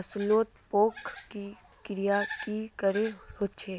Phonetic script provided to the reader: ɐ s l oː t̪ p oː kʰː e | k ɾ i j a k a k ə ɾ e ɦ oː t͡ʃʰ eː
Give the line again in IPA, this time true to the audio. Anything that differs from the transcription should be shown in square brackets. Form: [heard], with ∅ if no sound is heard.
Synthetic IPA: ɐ s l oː t̪ p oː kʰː [i] | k ɾ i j a k [i] k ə ɾ e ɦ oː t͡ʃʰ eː